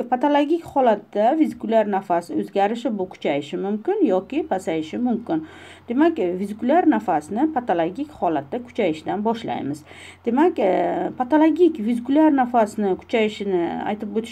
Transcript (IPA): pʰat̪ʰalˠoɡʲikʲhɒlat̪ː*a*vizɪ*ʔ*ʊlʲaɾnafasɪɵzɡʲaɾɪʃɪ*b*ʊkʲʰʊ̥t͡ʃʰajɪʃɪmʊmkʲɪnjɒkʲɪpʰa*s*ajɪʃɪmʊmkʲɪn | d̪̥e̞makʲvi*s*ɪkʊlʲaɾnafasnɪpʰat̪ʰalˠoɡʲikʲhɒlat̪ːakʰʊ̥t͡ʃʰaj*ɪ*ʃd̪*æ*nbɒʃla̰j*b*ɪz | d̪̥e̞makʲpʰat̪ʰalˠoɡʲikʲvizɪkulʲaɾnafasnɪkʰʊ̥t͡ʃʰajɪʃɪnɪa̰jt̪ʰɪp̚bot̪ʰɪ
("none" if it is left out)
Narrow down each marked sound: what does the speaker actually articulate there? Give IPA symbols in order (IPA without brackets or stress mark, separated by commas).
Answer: a, k, b, s, z, ɪ, a, m